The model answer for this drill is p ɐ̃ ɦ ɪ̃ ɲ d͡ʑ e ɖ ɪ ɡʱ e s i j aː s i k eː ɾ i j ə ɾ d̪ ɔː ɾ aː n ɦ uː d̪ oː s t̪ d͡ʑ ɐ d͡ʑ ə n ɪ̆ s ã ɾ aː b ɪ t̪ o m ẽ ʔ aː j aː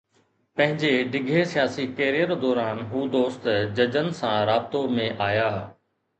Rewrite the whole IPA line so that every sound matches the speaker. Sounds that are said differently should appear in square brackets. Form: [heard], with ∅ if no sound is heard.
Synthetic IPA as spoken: p ɐ̃ ɦ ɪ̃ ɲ d͡ʑ e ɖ ɪ ɡʱ e s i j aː s i k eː ɾ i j ə ɾ d̪ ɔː ɾ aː n ɦ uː d̪ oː s t̪ d͡ʑ ɐ d͡ʑ ə n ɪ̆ s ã ɾ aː b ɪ t̪ o m ẽ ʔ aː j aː